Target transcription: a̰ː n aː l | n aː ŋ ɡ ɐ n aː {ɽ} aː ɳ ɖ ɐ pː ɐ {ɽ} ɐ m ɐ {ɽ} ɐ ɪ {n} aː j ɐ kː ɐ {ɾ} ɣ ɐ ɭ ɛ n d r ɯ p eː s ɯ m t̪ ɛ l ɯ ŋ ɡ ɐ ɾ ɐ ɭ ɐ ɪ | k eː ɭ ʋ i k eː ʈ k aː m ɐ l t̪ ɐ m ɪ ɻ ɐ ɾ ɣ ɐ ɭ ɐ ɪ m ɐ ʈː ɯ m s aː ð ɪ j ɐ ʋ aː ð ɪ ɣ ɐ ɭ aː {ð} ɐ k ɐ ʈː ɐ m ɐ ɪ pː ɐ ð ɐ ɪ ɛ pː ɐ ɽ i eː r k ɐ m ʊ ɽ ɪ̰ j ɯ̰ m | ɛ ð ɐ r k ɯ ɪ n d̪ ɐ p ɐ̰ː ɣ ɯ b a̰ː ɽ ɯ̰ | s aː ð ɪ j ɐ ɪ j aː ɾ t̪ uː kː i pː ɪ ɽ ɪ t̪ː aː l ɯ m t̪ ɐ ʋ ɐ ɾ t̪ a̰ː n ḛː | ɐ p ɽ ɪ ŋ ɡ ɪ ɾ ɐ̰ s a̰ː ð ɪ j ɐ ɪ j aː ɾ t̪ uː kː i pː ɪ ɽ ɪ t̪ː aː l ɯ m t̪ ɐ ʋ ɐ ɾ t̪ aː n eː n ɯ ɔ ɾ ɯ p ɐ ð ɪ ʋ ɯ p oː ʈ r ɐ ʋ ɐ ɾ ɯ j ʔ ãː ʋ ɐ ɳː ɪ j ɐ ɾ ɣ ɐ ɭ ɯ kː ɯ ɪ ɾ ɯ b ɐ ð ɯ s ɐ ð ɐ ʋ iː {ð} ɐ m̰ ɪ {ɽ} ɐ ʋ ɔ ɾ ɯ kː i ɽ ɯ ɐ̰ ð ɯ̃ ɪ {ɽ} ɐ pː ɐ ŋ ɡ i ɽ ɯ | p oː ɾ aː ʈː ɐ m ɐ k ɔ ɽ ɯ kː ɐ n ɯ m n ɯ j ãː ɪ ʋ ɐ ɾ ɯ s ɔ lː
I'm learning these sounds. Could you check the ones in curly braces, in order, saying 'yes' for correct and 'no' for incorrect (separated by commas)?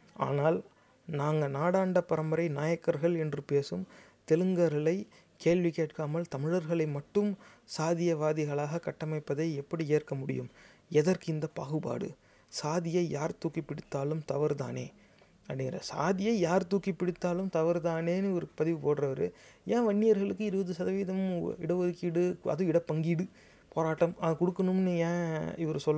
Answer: yes, no, no, yes, yes, no, yes, yes, yes